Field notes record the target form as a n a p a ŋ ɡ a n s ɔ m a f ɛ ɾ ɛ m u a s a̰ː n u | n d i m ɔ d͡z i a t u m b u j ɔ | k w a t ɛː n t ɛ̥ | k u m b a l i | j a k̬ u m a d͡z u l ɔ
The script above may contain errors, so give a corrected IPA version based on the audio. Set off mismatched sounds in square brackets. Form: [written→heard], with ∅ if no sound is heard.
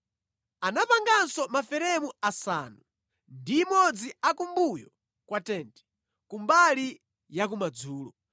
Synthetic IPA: a n a p a ŋ ɡ a n s ɔ m a f ɛ ɾ ɛ m u a s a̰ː n u | n d i m ɔ d͡z i a [t→k] u m b u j ɔ | k w a t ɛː n t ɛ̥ | k u m b a l i | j a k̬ u m a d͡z [u→uː] l ɔ